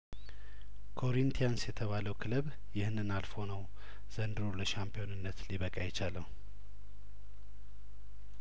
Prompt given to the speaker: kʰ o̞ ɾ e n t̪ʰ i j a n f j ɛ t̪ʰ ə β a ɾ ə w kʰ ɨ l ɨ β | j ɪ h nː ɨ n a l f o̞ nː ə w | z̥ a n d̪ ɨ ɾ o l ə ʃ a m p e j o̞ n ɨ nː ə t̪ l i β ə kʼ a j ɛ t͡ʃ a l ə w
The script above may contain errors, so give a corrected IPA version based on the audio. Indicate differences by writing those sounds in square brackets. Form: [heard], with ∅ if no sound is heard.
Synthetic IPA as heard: kʰ o̞ ɾ [i] n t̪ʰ i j a n [s] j ɛ t̪ʰ ə β a [l] ə w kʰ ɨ l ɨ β | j ɪ h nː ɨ n a l f o̞ [n] ə w | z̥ [ə] n d̪ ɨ ɾ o l ə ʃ a m p [i] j o̞ n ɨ nː ə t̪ l i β ə kʼ a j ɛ t͡ʃ a l ə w